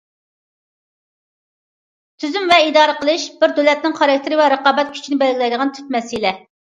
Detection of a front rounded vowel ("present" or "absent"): present